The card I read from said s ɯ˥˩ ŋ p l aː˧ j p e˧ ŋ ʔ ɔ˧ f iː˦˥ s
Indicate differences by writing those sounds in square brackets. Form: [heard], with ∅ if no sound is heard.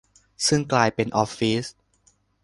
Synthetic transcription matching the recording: s ɯ˥˩ ŋ [k] l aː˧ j p e˧ [n] ʔ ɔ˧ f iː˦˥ s